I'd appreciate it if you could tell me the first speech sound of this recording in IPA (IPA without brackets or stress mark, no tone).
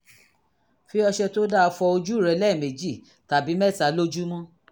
f